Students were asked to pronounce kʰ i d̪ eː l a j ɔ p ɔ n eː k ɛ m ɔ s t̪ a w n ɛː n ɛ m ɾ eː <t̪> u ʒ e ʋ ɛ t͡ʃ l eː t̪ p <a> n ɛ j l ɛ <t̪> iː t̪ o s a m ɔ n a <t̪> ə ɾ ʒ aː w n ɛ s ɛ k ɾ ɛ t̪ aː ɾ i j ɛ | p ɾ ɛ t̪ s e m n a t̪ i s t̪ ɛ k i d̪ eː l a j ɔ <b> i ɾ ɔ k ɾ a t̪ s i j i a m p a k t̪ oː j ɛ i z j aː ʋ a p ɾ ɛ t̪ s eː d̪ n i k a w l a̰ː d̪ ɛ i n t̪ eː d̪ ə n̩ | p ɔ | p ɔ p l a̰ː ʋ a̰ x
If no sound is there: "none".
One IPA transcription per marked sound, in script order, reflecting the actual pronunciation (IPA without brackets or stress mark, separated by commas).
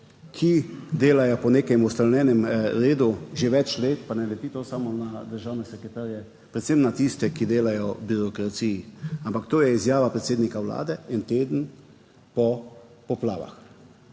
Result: d̪, a, t̪, d̪, b